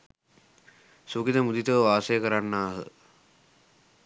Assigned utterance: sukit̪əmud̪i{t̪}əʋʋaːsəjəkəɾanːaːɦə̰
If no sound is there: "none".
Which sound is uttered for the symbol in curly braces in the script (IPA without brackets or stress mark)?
t̪